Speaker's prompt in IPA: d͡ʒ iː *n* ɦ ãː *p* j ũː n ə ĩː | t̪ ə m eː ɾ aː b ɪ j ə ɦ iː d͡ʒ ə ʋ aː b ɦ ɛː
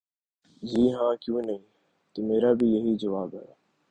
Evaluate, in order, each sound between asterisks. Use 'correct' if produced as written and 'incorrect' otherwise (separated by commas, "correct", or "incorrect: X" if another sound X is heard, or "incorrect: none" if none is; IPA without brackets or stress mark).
incorrect: none, incorrect: k